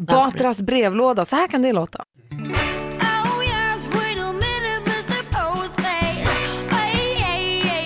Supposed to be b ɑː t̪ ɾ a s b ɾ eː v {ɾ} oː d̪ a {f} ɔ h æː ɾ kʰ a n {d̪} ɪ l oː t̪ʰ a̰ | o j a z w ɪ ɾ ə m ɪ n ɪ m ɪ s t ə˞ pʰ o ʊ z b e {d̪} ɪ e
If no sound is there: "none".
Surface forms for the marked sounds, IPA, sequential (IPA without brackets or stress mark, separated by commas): l, s, d̪, none